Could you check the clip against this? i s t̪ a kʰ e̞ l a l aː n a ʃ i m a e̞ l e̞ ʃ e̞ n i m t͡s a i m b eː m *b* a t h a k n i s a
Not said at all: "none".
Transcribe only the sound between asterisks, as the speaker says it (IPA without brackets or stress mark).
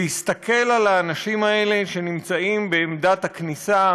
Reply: d